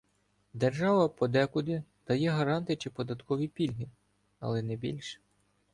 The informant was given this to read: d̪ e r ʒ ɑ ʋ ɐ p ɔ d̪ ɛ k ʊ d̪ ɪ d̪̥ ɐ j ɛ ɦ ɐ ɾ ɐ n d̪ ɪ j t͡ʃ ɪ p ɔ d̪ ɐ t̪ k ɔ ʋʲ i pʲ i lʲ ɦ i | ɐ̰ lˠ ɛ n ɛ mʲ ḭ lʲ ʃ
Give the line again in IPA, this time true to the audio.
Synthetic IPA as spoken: d̪ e r ʒ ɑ ʋ ɐ p ɔ d̪ ɛ k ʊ d̪ ɪ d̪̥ ɐ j ɛ ɦ ɐ ɾ ɑ n t̪ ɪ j t͡ʃ ɪ p ɔ d̪ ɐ t̪ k ɔ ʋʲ i pʲ i lʲ ɦ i | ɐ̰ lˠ ɛ n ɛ bʲ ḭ lʲ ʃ